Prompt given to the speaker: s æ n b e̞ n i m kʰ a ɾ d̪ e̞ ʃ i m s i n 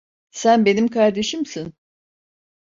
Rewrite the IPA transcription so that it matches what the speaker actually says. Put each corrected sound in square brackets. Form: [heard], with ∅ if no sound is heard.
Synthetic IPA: s æ n b e̞ n i m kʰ a ɾ d̪ e̞ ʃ i m s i n